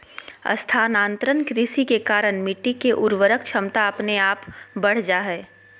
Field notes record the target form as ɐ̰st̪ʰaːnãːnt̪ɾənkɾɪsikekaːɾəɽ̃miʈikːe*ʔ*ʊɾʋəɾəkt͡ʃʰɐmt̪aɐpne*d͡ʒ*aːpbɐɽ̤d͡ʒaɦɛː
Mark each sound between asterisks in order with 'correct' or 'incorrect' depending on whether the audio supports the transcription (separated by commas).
correct, incorrect